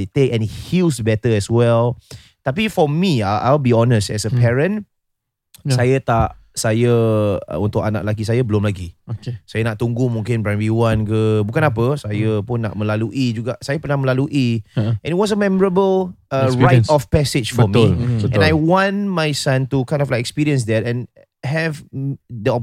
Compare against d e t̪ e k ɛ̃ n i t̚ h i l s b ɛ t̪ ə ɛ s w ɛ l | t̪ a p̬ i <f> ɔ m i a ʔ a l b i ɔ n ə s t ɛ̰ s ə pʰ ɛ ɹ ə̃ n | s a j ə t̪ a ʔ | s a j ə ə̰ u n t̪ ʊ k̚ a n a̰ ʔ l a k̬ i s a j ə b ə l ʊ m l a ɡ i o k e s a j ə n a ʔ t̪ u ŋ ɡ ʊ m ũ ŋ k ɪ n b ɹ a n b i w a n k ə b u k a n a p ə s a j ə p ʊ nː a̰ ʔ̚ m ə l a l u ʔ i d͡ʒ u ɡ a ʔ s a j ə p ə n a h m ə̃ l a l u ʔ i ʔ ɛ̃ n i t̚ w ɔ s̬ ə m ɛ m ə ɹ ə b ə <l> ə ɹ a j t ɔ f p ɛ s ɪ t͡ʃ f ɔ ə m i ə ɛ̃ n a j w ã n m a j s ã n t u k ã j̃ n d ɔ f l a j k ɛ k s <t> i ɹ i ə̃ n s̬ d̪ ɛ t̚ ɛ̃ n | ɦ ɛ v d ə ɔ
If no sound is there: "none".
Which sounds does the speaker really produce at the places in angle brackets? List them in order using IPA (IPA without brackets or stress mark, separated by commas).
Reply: f, l, p